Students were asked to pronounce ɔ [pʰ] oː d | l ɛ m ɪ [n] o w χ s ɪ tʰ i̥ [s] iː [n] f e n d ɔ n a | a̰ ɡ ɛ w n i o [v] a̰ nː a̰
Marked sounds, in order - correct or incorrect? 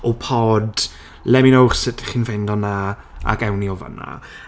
correct, correct, incorrect, correct, correct

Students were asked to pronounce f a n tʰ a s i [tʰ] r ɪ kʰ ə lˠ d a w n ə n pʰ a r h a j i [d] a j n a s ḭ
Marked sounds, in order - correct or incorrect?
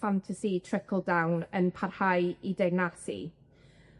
correct, correct

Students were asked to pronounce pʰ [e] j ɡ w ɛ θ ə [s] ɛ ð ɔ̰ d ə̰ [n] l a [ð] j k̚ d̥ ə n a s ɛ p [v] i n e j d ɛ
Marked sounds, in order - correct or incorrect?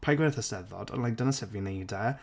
incorrect, correct, correct, incorrect, correct

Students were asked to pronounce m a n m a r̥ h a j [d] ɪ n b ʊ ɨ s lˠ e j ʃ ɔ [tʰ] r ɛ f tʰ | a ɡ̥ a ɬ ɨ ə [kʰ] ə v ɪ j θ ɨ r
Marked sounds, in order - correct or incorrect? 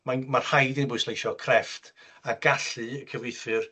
correct, incorrect, correct

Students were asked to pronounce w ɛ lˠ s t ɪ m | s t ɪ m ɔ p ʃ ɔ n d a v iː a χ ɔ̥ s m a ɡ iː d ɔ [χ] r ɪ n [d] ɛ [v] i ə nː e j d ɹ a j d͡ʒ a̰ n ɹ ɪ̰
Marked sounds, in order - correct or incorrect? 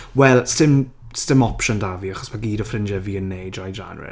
incorrect, incorrect, correct

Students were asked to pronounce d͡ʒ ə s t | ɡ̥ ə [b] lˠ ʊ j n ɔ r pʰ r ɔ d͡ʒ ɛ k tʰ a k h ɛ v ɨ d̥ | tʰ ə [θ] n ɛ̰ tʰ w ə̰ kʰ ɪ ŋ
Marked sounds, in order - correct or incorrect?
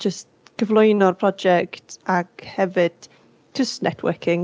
incorrect, incorrect

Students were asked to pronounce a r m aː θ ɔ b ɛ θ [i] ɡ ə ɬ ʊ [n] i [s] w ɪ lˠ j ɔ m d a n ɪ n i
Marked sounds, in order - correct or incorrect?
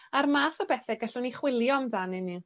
incorrect, correct, incorrect

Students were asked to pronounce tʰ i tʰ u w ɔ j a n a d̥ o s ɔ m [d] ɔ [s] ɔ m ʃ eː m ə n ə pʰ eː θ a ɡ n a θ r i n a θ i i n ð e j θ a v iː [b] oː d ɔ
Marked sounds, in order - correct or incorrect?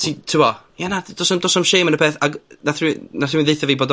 correct, correct, correct

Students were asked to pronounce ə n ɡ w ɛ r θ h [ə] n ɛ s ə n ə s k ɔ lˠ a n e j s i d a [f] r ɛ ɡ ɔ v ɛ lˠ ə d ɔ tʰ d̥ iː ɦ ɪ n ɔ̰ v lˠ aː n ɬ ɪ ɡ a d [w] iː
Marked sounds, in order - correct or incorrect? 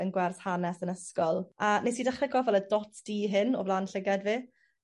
incorrect, incorrect, incorrect

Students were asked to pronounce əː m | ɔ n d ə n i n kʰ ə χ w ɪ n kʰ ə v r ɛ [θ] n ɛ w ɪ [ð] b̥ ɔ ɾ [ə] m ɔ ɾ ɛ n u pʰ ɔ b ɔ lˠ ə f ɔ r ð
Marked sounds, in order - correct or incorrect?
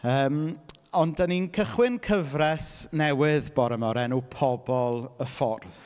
incorrect, correct, correct

